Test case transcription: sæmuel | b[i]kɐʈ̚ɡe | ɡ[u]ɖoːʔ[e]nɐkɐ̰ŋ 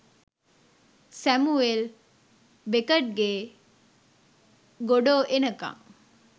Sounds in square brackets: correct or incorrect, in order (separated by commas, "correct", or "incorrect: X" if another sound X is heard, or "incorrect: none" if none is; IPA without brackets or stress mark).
incorrect: e, incorrect: o, correct